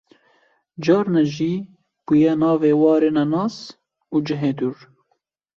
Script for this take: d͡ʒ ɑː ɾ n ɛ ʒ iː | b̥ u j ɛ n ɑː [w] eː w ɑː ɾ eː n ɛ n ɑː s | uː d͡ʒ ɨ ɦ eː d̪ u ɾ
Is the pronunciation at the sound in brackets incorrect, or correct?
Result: incorrect